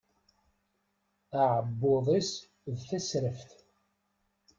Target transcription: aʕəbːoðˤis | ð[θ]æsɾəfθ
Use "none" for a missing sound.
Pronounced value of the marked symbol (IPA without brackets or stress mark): θ